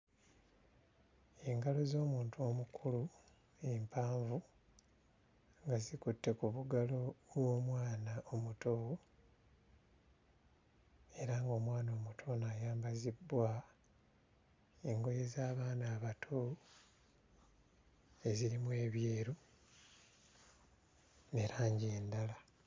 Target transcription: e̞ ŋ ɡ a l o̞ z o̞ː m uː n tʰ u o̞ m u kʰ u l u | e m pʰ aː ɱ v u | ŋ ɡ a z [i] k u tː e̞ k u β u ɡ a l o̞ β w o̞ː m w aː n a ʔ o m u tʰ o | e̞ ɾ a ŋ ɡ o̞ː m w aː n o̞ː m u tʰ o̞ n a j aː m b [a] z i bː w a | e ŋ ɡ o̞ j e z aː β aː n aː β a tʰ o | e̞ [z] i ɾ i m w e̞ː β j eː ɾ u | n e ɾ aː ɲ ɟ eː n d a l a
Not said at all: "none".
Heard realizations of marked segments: i, a, z

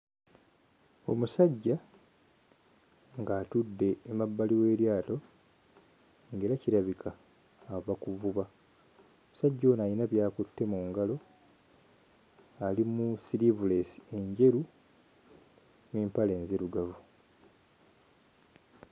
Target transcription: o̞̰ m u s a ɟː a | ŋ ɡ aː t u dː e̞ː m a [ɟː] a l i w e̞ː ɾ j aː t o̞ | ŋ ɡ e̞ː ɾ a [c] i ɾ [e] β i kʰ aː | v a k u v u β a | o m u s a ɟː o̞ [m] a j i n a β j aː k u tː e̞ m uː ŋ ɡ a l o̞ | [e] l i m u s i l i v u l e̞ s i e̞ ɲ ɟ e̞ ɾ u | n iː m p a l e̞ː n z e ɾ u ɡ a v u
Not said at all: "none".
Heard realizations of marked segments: bː, c, a, n, a

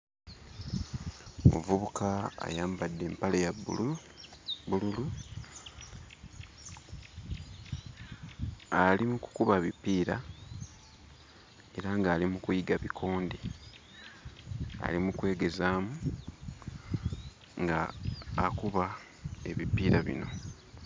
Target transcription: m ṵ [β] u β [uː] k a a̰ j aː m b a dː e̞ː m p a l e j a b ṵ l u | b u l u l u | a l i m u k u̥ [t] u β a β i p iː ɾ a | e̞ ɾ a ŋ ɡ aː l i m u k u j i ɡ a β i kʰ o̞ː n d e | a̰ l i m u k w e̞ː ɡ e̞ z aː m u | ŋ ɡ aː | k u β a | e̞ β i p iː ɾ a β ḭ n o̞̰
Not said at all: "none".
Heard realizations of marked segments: v, u, k

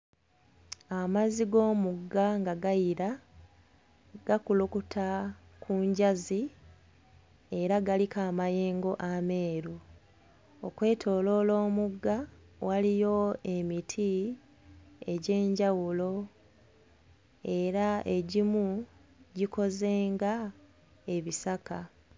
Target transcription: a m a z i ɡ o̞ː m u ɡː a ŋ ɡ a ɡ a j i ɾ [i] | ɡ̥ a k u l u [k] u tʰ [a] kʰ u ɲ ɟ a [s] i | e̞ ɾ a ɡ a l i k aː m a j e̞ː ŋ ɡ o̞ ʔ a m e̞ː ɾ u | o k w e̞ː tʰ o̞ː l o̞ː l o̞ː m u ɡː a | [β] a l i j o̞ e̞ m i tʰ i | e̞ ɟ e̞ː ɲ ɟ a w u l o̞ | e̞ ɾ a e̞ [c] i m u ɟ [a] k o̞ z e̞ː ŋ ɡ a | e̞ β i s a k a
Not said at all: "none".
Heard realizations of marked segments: a, k, a, z, w, ɟ, i

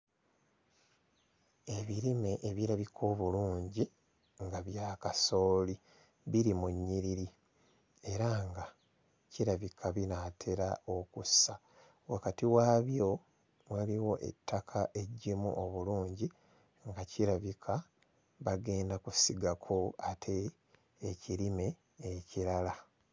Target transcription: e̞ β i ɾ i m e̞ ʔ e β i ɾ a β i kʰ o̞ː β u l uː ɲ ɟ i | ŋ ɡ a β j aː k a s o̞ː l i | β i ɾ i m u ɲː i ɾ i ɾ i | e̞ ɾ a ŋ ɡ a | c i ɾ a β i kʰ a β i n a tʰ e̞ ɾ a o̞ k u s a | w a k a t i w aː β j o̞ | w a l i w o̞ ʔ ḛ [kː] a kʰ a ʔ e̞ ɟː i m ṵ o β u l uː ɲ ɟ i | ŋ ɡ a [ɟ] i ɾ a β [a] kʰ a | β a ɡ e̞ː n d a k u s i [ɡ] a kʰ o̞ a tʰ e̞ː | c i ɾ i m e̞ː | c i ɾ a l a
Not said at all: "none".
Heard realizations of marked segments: tː, c, i, ɡ

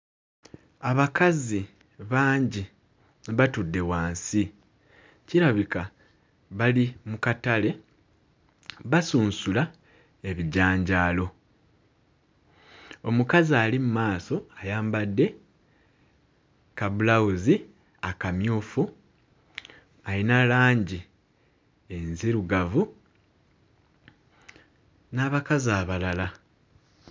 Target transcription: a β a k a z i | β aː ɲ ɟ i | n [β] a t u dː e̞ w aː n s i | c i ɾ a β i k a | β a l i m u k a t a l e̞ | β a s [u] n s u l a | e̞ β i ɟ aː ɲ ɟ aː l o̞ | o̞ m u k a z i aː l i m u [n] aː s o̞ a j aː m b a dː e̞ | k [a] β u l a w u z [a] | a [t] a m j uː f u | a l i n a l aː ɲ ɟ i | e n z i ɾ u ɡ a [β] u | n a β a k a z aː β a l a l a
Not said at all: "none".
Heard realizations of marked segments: β, uː, m, a, i, k, v

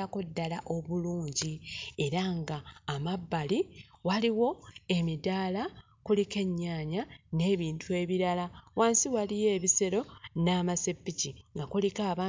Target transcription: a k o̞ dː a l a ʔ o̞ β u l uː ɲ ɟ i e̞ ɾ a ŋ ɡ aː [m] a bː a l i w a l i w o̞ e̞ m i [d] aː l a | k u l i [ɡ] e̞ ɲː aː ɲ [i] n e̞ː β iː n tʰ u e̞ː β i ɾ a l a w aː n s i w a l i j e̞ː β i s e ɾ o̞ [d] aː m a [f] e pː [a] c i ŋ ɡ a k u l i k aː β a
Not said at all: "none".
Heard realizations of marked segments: m, d, k, a, n, s, i

